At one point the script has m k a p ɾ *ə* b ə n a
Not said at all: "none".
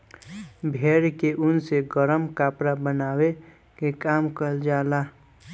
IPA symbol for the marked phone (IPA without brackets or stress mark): a